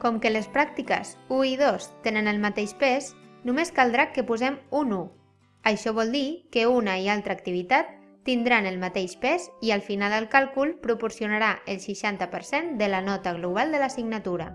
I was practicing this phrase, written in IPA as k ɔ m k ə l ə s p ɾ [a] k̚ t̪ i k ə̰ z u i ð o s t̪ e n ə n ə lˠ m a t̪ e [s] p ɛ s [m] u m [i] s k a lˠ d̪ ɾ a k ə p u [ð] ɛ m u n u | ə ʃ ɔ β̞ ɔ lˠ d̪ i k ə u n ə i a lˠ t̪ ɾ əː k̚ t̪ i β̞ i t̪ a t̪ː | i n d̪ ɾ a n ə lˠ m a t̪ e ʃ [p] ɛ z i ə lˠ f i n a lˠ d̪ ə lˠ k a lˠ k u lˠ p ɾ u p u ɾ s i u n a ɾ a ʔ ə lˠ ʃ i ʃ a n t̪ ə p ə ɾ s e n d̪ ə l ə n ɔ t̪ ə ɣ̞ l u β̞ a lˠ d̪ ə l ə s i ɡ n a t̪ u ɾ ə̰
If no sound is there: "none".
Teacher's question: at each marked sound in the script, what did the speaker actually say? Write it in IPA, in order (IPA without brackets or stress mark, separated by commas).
a, ʃ, n, e, z, p